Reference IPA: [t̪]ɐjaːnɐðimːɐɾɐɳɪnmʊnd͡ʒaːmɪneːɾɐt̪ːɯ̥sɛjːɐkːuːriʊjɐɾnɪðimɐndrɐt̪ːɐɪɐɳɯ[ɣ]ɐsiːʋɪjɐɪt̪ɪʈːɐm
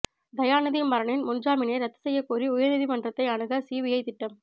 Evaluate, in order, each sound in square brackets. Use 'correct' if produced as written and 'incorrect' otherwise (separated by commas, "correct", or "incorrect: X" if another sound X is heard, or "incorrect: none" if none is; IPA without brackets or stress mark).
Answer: incorrect: d̪, correct